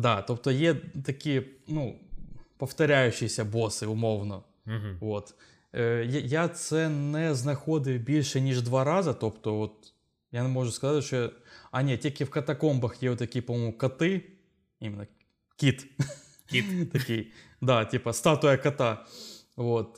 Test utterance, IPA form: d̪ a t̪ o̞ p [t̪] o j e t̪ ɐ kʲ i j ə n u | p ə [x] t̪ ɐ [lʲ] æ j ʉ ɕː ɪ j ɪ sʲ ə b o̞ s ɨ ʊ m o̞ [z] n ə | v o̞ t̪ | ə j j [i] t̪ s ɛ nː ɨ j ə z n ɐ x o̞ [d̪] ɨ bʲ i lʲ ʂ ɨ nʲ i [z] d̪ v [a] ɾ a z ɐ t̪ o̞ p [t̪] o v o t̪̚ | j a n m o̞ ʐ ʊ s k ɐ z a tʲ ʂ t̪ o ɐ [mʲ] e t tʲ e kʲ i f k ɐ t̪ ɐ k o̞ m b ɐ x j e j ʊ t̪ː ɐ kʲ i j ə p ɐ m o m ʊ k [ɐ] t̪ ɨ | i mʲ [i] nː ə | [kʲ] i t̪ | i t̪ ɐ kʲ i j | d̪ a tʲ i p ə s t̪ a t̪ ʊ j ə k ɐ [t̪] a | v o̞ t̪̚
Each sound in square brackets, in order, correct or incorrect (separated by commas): correct, incorrect, incorrect, incorrect, incorrect, correct, incorrect, correct, correct, incorrect, correct, incorrect, correct, correct